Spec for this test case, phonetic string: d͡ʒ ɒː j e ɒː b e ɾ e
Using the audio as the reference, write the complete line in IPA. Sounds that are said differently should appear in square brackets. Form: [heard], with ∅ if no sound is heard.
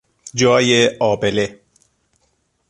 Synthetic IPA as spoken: d͡ʒ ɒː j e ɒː b e [l] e

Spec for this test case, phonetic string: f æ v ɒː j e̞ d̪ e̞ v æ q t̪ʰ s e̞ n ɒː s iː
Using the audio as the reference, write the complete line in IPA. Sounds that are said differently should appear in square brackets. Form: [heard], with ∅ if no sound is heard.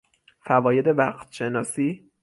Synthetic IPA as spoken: f æ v ɒː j e̞ d̪ e̞ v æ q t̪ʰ [ʃ] e̞ n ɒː s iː

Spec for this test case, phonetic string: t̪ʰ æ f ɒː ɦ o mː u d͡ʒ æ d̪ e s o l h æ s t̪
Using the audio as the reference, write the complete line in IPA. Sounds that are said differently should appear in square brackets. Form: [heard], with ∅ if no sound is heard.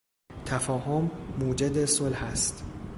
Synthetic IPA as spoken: t̪ʰ æ f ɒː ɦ o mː [uː] d͡ʒ [e] d̪ e s o l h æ s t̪

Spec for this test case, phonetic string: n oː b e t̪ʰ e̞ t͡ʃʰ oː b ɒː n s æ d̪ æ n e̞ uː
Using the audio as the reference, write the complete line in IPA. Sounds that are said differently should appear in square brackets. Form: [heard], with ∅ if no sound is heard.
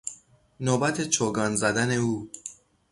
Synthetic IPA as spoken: n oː b [æ] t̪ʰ e̞ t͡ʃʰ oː [ɡ] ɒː n [z] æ d̪ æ n e̞ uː

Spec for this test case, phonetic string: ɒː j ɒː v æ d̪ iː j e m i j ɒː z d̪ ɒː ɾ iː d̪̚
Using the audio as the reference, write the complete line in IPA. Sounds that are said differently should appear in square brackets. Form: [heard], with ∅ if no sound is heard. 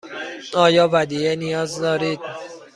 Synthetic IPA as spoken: ɒː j ɒː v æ d̪ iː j e [n] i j ɒː z d̪ ɒː ɾ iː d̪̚

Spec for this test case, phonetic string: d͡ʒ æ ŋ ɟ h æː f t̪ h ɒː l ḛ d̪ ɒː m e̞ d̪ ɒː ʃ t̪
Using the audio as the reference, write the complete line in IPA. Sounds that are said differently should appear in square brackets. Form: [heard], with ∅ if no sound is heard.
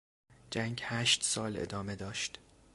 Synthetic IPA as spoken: d͡ʒ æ ŋ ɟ h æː [ʃ] t̪ [s] ɒː l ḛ d̪ ɒː m e̞ d̪ ɒː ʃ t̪

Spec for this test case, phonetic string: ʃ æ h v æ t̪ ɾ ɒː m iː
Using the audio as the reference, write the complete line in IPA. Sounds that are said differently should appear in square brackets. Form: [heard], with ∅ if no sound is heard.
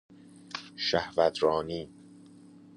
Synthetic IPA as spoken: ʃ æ h v æ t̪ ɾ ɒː [n] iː

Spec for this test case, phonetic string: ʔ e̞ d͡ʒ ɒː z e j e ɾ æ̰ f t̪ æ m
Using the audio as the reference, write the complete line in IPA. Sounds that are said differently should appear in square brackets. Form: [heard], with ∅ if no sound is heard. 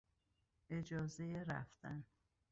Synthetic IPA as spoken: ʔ e̞ d͡ʒ ɒː z e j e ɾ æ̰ f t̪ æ [n]

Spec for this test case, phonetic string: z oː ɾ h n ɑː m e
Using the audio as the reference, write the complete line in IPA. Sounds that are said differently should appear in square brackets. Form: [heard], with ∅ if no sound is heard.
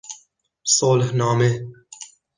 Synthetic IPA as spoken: [s] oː [l] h n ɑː m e

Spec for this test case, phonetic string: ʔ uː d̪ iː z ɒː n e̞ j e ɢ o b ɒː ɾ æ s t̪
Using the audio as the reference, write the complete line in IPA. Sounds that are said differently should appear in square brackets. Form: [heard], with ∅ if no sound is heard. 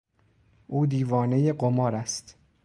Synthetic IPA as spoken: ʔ uː d̪ iː [v] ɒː n e̞ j e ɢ o [m] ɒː ɾ æ s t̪

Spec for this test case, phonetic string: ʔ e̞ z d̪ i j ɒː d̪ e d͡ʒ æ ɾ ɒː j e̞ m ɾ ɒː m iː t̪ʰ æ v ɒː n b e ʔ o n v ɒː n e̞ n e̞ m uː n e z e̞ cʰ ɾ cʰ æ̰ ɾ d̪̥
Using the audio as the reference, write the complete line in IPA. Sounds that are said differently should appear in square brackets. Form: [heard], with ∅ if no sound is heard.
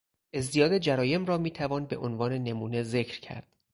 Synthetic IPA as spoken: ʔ e̞ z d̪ i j ɒː d̪ e d͡ʒ æ ɾ ɒː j e̞ m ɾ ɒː m iː t̪ʰ æ v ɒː n b e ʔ o n v ɒː n e̞ n e̞ m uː n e z e̞ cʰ ɾ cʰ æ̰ ɾ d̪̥

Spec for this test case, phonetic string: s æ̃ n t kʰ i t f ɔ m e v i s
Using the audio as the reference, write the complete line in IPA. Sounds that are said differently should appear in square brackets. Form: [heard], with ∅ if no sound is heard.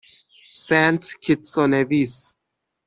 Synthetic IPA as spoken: s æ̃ n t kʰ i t [s] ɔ [n] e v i s

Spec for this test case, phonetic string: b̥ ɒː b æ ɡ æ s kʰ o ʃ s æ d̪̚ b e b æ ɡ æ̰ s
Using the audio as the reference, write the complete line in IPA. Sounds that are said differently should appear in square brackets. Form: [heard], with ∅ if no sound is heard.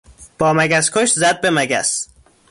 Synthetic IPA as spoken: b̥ ɒː [m] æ ɡ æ s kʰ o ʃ [z] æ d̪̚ b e [m] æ ɡ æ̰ s

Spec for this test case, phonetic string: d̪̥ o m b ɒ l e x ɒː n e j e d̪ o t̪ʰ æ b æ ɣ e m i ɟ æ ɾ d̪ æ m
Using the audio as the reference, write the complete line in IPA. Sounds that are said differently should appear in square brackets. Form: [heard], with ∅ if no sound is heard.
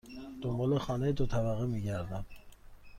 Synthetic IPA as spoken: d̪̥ o m b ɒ l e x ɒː n e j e d̪ o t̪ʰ æ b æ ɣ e m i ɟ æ ɾ d̪ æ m

